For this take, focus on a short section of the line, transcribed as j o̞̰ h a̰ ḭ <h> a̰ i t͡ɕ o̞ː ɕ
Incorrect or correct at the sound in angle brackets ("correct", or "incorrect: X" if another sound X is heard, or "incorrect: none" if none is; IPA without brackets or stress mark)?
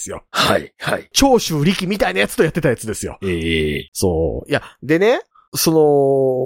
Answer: correct